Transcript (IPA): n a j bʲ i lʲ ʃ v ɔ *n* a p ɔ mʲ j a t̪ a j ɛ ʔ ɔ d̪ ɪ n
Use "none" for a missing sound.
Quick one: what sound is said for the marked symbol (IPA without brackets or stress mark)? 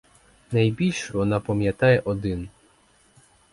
n